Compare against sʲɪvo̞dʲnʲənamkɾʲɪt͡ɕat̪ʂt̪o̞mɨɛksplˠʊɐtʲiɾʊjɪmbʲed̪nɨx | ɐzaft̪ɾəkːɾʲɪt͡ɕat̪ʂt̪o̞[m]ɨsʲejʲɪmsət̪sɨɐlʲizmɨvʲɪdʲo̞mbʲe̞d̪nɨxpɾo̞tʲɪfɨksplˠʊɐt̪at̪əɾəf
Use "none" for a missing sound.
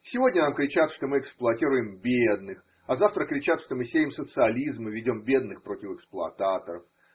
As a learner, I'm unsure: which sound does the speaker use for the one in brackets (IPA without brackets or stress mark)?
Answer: m